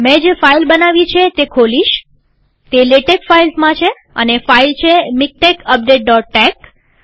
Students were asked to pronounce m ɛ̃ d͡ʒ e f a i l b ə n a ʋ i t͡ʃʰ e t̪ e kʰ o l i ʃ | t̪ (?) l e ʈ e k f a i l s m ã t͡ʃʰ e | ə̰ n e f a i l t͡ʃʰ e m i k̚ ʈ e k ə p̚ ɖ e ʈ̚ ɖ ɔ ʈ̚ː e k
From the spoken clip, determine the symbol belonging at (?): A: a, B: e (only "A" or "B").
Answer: B